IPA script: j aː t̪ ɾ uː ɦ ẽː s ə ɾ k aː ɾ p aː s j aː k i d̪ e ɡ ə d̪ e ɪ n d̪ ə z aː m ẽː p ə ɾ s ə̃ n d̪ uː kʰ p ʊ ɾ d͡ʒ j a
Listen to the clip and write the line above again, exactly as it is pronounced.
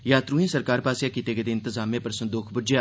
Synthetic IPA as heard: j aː t̪ ɾ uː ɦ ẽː s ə ɾ k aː ɾ p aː s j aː k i t̪ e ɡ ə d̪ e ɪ n t̪ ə z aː m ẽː p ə ɾ s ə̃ n d̪ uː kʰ b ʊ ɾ d͡ʒ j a